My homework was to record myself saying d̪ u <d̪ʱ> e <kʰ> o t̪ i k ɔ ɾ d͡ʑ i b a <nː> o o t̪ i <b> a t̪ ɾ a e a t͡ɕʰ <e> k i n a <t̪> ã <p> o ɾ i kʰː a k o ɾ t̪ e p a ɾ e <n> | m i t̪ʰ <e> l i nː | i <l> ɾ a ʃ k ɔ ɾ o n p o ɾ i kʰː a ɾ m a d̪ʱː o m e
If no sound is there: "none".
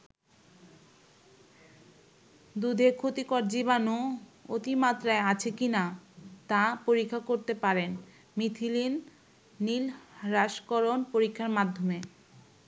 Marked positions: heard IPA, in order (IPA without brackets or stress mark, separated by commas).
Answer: d̪ʱ, kʰ, n, m, e, t̪, p, n, i, l